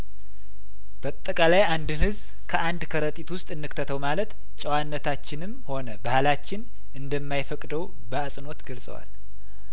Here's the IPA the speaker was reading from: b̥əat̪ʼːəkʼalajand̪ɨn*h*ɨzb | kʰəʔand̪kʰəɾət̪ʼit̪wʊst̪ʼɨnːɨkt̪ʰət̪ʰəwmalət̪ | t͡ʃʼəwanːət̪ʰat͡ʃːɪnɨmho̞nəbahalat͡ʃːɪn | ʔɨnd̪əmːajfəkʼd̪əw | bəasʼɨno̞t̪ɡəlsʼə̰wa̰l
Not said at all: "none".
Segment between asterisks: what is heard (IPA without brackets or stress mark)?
h